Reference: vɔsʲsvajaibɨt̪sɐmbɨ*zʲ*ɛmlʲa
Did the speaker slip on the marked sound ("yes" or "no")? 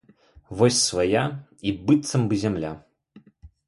no